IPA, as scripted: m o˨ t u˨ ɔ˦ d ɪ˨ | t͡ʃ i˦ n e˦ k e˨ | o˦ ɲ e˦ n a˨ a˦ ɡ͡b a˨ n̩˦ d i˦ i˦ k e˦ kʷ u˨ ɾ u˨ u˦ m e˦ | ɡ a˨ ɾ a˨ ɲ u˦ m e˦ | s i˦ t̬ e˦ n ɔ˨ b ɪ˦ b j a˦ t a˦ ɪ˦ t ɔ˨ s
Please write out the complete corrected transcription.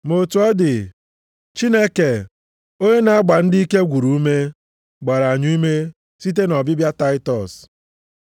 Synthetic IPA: m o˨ t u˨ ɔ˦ d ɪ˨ | t͡ʃ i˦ n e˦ k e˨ | o˦ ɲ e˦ n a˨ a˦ ɡ͡b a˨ n̩˦ d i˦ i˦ k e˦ ɡʷ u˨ ɾ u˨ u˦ m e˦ | ɡ͡b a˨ ɾ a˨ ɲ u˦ m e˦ | s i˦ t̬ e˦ n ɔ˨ b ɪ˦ b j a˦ t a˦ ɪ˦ t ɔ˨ s